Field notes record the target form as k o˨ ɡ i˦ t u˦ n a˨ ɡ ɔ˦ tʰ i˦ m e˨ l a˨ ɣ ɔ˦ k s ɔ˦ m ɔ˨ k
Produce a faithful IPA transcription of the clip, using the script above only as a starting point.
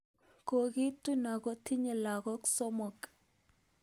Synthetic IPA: k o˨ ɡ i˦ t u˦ n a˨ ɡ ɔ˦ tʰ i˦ ɲ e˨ l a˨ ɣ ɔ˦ k s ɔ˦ m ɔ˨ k

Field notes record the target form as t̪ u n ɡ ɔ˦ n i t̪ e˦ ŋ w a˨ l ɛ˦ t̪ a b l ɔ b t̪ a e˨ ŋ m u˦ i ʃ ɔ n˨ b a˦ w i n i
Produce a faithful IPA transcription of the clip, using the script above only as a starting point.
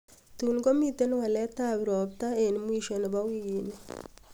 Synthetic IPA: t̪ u n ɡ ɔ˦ m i t̪ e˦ n w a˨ l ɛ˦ t̪ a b ɾ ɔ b t̪ a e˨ n m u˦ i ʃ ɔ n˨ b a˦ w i n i

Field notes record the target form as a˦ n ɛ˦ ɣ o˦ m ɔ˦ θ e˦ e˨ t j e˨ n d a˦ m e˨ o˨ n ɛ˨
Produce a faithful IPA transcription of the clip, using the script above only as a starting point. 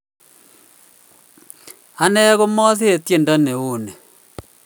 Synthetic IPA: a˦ n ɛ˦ ɣ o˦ m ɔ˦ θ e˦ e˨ t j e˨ n d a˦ n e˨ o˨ n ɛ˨

